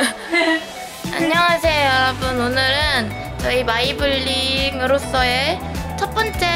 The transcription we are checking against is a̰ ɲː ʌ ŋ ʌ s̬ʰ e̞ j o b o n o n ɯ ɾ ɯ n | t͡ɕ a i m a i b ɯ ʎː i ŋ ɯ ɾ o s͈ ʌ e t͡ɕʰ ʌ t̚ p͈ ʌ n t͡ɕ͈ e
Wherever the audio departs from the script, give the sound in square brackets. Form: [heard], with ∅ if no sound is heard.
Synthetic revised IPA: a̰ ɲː ʌ ŋ [a] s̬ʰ e̞ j o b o n o n ɯ ɾ ɯ n | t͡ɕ [ʌ] i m a i b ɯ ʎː i ŋ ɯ ɾ o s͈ ʌ e t͡ɕʰ ʌ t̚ p͈ ʌ n t͡ɕ͈ e